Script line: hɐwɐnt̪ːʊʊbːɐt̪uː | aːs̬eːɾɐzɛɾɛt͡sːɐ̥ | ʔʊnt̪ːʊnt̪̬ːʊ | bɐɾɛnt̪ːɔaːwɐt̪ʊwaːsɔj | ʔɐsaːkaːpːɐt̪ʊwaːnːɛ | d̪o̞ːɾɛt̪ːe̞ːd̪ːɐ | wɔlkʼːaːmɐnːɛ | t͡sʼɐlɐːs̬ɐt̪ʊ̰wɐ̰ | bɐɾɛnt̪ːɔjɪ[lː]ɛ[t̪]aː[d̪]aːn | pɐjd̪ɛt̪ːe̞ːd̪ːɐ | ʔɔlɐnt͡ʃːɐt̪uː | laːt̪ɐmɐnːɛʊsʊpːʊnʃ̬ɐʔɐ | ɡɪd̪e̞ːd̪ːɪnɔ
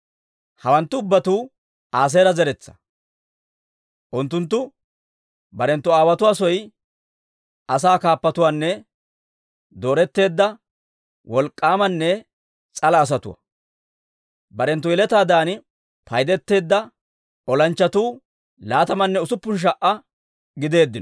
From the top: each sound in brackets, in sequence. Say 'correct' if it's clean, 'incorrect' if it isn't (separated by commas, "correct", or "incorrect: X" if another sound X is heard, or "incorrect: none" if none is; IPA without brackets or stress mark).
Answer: incorrect: l, correct, correct